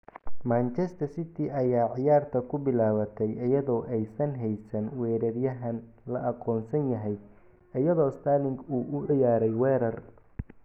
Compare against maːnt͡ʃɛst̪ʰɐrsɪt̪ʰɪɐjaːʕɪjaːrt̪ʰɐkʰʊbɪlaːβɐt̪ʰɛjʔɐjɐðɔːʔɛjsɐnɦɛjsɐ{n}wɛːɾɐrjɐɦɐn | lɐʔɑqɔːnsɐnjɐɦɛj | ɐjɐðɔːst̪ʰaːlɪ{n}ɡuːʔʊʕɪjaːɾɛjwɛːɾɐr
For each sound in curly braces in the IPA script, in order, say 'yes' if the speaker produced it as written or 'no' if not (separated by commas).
yes, no